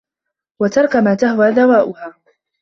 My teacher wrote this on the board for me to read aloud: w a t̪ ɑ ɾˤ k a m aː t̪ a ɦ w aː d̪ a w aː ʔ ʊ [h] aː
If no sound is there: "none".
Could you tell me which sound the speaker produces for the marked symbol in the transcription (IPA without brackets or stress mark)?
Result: h